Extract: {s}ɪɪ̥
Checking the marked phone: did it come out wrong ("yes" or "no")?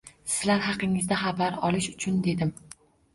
no